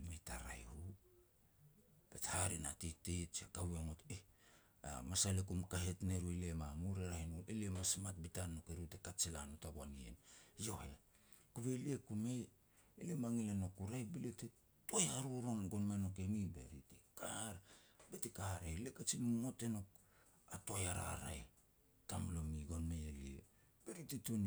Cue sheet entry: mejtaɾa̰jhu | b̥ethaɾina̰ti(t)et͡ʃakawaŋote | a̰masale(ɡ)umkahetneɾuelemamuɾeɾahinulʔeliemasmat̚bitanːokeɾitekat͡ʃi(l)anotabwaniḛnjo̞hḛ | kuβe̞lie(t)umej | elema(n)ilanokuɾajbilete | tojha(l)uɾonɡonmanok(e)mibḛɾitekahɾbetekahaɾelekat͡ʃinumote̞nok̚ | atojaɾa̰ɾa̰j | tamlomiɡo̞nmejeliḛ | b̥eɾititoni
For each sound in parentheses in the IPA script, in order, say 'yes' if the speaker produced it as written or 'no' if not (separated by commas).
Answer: yes, no, yes, no, no, no, yes